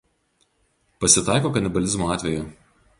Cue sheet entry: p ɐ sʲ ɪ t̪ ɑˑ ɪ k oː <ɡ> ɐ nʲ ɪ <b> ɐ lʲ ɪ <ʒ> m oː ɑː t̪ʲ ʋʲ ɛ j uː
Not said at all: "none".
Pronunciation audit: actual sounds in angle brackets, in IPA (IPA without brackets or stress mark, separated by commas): k, b, z